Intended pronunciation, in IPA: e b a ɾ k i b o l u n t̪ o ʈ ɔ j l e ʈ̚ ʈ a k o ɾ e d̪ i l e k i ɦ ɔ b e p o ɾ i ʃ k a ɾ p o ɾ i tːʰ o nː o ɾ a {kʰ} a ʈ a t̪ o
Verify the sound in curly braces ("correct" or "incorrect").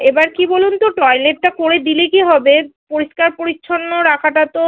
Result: correct